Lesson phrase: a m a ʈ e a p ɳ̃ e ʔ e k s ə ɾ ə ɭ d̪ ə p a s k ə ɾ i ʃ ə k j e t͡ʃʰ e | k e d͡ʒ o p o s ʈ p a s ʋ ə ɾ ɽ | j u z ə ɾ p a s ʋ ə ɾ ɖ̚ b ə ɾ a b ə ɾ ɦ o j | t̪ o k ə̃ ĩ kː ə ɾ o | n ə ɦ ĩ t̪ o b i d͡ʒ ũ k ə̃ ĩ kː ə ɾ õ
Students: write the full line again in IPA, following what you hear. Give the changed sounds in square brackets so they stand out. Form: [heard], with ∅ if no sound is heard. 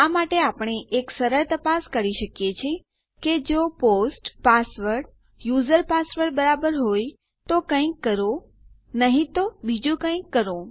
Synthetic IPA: a m a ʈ e a p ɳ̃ e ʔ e k s ə ɾ ə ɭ [t̪] ə p a s k ə ɾ i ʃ ə k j e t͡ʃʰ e | k e d͡ʒ o p o s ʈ p a s ʋ ə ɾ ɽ | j u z ə ɾ p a s ʋ ə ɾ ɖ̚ b ə ɾ a b ə ɾ ɦ o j | t̪ o k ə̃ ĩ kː ə ɾ o | n ə ɦ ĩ t̪ o b i d͡ʒ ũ k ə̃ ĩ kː ə ɾ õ